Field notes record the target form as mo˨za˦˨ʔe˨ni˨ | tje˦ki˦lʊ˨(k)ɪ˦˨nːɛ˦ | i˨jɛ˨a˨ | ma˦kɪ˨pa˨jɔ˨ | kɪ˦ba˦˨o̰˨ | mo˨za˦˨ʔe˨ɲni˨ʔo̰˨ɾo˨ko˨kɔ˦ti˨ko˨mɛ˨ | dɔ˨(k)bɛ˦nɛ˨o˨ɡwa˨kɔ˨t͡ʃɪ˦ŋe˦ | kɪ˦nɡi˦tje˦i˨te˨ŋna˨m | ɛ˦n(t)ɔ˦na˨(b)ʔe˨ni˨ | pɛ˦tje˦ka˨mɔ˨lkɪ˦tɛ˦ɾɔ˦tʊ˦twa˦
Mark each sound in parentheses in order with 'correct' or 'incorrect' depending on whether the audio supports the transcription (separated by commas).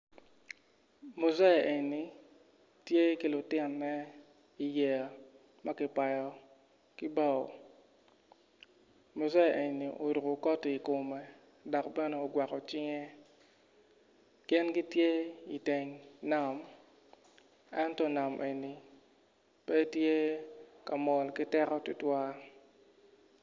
incorrect, correct, correct, incorrect